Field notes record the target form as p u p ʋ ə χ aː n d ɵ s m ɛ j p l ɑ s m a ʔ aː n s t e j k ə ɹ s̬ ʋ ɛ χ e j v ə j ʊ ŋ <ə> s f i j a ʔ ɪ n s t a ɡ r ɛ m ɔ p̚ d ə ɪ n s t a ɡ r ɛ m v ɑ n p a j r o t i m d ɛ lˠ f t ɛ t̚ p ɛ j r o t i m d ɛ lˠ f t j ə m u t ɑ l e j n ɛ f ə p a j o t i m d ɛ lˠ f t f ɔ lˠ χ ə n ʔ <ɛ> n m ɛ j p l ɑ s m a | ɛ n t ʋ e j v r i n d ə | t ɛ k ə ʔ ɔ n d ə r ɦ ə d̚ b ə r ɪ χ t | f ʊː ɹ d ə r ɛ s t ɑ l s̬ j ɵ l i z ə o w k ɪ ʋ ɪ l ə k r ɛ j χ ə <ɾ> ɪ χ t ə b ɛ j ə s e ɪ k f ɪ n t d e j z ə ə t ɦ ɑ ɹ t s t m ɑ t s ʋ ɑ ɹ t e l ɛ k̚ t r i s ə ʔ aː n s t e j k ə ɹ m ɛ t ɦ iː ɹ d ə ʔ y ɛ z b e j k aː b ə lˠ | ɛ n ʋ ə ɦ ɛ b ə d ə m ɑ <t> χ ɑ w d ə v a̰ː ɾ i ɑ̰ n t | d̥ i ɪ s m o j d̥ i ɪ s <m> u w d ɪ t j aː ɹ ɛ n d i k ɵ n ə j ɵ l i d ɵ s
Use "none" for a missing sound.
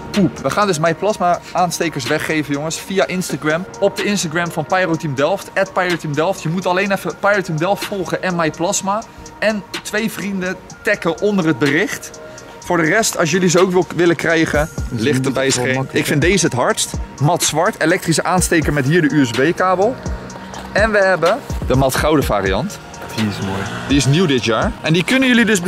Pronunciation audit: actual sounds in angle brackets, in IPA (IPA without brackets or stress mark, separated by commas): ə, ɛ, l, t, n